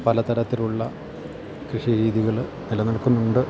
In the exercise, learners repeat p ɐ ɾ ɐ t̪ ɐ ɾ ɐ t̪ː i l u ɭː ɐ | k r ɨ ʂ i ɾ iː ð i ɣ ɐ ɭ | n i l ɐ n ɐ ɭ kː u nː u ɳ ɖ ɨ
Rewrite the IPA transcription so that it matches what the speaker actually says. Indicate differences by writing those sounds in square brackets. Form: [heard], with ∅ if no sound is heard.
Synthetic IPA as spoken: p ɐ [l] ɐ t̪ ɐ ɾ ɐ t̪ː i l u ɭː ɐ | k r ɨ ʂ i ɾ iː ð i ɣ ɐ ɭ | n i l ɐ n ɐ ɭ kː u nː u ɳ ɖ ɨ